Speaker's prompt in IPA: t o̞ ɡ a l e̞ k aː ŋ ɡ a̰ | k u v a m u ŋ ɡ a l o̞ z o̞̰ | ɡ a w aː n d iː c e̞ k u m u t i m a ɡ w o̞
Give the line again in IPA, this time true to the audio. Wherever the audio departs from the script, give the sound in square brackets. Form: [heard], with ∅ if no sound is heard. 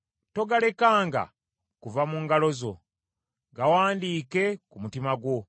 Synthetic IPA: t o̞ ɡ a l e̞ k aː ŋ ɡ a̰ | k u v a m u ŋ ɡ a l o̞ z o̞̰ | ɡ a w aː n d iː [k] e̞ k u m u t i m a ɡ w o̞